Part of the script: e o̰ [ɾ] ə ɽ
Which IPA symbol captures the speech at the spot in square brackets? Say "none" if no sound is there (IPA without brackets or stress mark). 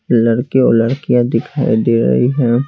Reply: l